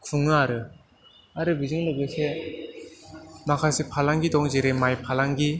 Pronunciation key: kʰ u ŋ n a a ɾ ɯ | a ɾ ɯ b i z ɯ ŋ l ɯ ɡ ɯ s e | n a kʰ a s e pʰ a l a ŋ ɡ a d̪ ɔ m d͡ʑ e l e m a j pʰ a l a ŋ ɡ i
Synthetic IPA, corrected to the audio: kʰ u ŋ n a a ɾ ɯ | a ɾ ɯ b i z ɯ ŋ l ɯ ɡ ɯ s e | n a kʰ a s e pʰ a l a ŋ ɡ i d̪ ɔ ŋ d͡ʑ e ɾ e m a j pʰ a l a ŋ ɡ i